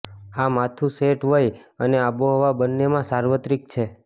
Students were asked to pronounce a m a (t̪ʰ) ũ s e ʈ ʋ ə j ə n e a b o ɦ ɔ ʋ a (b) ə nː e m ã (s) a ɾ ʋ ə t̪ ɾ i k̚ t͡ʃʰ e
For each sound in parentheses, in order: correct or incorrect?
correct, correct, correct

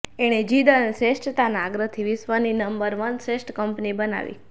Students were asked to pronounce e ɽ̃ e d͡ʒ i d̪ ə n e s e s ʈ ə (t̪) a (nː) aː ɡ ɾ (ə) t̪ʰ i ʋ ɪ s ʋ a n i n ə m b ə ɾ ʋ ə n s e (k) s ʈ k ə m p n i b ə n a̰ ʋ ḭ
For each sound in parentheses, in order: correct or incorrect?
correct, incorrect, correct, incorrect

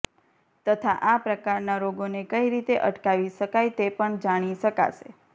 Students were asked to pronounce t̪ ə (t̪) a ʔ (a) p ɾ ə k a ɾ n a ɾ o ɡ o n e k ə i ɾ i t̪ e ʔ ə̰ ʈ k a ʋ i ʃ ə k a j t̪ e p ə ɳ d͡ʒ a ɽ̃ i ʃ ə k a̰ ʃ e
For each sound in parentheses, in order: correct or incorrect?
incorrect, correct

